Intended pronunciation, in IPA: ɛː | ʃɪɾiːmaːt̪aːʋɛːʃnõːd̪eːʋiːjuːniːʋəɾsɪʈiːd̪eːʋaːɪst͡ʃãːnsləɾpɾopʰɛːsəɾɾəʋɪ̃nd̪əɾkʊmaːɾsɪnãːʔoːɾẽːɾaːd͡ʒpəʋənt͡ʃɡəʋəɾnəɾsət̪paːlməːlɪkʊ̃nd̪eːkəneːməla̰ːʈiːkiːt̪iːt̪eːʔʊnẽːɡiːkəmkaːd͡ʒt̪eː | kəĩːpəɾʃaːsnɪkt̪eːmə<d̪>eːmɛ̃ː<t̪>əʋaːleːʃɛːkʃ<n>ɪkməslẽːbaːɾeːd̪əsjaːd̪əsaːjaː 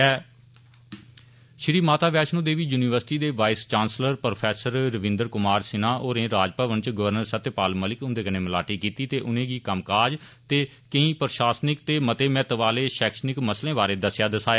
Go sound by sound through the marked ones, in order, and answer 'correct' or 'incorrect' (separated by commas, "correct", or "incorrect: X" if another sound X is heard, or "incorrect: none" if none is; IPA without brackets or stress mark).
incorrect: t̪, correct, correct